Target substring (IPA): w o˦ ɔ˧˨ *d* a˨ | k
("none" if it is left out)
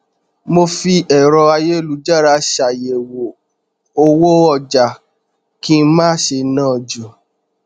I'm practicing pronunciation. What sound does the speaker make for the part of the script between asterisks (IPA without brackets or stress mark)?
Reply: d͡ʒ